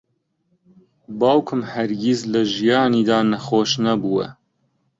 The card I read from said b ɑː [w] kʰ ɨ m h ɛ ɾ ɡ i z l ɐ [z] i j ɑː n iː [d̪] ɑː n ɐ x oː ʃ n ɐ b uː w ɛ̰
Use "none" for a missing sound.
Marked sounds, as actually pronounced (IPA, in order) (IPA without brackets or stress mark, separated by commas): w, ʒ, d̪